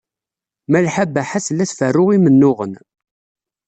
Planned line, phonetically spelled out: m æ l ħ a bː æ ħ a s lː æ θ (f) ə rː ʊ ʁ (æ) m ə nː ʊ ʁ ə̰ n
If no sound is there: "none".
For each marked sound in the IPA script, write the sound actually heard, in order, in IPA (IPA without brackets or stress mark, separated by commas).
f, i